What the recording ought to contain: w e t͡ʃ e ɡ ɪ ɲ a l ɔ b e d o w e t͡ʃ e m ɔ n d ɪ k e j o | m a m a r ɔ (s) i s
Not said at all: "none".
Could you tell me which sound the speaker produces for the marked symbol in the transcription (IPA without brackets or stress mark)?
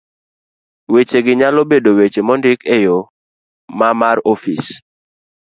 f